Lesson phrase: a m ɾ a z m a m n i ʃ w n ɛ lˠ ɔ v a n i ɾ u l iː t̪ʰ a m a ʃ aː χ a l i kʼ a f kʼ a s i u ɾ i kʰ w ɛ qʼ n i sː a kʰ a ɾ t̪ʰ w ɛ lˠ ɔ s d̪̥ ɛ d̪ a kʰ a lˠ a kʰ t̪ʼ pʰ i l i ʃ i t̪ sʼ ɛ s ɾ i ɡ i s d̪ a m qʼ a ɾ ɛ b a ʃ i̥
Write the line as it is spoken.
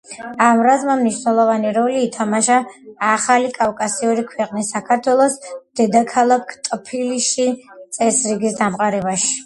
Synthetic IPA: a m ɾ a z m a m n i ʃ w n ɛ lˠ ɔ v a n i ɾ ɔ l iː t̪ʰ a m a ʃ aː χ a l i kʼ a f kʼ a s i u ɾ i kʰ w ɛ qʼ n i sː a kʰ a ɾ t̪ʰ w ɛ lˠ ɔ s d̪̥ ɛ d̪ a kʰ a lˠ a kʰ t̪ʼ pʰ i l i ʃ i t̪ sʼ ɛ s ɾ i ɡ i s d̪ a m qʼ a ɾ ɛ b a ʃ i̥